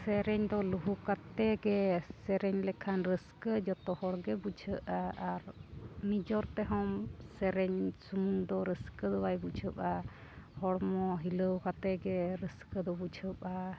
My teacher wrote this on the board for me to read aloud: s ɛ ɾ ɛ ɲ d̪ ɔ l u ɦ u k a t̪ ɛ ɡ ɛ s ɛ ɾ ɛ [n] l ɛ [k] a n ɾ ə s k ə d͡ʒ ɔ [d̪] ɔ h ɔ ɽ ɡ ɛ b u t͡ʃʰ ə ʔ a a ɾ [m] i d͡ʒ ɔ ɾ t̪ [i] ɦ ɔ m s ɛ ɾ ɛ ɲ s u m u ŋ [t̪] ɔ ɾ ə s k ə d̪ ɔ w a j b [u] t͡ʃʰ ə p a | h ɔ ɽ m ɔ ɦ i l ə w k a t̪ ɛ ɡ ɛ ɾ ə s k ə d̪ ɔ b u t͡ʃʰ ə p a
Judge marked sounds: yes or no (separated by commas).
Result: no, no, no, no, no, no, yes